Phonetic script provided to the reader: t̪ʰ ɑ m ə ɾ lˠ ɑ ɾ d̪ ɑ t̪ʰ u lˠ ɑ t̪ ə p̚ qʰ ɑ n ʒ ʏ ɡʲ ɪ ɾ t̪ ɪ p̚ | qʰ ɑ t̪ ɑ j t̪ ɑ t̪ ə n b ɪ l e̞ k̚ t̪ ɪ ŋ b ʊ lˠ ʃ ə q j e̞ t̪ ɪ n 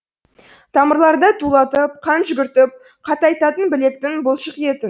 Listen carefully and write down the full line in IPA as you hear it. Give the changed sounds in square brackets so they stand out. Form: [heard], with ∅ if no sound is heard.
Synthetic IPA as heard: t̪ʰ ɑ m ə ɾ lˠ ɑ ɾ d̪ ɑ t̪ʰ u lˠ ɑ t̪ ə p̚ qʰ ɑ n ʒ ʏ ɡʲ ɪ ɾ t̪ ɪ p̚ | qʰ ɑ t̪ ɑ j t̪ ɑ t̪ ə n b ɪ l e̞ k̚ t̪ ɪ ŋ b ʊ lˠ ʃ ə q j e̞ t̪ ɪ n